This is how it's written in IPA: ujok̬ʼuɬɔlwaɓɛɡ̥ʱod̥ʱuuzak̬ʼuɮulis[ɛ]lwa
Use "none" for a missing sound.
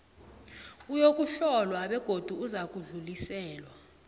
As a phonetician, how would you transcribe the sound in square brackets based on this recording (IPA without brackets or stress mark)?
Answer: ɛː